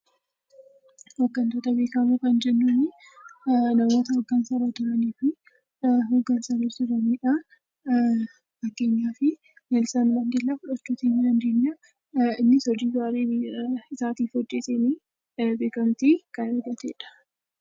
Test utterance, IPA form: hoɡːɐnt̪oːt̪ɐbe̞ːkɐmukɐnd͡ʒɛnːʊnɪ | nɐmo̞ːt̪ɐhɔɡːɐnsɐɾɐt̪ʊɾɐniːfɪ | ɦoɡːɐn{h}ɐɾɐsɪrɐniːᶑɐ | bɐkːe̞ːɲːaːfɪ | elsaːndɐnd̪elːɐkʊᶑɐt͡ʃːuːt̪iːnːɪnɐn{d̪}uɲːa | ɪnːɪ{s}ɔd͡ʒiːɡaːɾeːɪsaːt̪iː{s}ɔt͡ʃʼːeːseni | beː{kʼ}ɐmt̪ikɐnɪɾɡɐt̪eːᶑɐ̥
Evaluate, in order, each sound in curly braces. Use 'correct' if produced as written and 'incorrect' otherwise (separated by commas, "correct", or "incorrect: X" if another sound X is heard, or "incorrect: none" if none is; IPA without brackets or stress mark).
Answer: incorrect: s, correct, correct, incorrect: f, incorrect: k